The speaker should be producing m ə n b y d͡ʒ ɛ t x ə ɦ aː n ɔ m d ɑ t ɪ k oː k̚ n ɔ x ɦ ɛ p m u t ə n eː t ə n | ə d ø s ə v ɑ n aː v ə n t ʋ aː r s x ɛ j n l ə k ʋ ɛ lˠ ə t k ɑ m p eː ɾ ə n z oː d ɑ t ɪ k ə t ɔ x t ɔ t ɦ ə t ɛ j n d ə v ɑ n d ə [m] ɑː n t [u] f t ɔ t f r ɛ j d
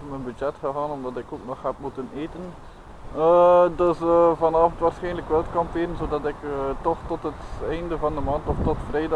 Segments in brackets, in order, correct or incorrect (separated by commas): correct, incorrect